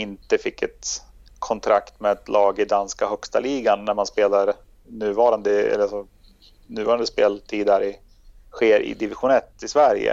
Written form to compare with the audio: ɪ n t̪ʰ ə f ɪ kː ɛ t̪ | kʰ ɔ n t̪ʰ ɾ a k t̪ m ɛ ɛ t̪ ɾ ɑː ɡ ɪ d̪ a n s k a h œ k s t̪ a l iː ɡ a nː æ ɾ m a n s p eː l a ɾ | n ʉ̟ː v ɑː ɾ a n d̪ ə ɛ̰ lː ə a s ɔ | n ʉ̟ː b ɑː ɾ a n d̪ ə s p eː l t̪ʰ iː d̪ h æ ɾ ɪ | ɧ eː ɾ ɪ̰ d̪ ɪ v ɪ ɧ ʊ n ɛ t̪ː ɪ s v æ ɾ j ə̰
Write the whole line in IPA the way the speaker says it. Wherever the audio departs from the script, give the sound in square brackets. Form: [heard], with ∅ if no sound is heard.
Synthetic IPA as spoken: ɪ n [t̪] ə f ɪ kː ɛ t̪ | kʰ ɔ n t̪ʰ ɾ a k t̪ m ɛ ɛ t̪ [l] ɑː ɡ ɪ d̪ a n s k a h œ k s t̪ a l iː ɡ a nː æ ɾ m a n s p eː l a ɾ | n ʉ̟ː v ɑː ɾ a n d̪ ə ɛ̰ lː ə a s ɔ | n ʉ̟ː [v] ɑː ɾ a n d̪ ə s p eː l t̪ʰ iː d̪ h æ ɾ ɪ | ɧ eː ɾ ɪ̰ d̪ ɪ v ɪ ɧ ʊ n ɛ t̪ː ɪ s v æ ɾ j ə̰